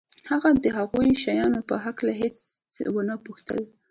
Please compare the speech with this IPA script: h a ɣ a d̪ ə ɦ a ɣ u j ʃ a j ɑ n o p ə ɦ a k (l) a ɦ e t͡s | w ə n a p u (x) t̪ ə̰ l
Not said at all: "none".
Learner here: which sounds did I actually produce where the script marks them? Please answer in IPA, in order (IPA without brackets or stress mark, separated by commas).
l, x